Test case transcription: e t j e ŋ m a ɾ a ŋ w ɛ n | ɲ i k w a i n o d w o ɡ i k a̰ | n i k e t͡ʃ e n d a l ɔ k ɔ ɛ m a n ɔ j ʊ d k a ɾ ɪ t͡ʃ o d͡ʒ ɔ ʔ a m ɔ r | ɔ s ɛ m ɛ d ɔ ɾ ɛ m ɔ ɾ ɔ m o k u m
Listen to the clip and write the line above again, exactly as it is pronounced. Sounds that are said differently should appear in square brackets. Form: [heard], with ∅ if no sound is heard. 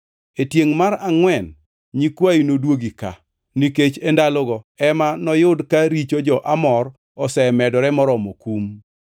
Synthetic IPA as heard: e t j e ŋ m a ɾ a ŋ w ɛ n | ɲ i k w a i n o d w o ɡ i k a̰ | n i k e t͡ʃ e n d a l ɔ [ɡ] ɔ ɛ m a n ɔ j ʊ d k a ɾ [i] t͡ʃ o d͡ʒ ɔ ʔ a m ɔ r | ɔ s ɛ m ɛ d ɔ ɾ ɛ m ɔ ɾ ɔ m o k u m